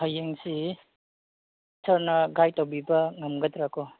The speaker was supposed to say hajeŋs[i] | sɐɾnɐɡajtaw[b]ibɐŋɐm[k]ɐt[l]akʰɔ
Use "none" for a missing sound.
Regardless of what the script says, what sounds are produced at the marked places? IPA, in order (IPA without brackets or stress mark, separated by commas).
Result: i, b, ɡ, ɾ